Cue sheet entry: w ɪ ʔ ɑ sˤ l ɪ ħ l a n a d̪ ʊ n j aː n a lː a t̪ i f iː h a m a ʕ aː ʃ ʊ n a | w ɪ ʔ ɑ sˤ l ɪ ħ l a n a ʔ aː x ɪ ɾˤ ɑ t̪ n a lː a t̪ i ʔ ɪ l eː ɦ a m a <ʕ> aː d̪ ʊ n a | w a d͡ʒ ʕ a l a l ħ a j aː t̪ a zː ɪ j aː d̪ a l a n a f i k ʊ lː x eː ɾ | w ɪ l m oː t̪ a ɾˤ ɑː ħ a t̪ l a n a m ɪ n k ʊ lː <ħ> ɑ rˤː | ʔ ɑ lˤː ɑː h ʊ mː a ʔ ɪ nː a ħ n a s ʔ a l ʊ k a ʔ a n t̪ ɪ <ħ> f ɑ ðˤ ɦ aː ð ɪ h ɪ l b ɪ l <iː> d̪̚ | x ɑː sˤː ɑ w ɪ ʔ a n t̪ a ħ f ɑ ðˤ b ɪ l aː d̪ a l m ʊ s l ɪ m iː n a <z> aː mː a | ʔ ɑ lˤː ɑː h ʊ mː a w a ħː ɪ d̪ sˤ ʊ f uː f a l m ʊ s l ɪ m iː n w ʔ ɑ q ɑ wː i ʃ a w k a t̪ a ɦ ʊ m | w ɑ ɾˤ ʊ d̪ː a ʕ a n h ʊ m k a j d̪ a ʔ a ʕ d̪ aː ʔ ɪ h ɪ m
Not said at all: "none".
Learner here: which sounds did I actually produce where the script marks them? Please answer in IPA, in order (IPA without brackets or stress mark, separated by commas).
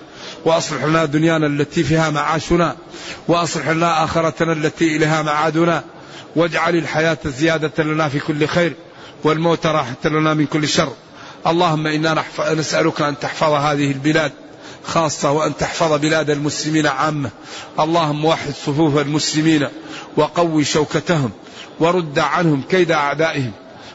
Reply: ʕ, ʃ, ħ, aː, ʕ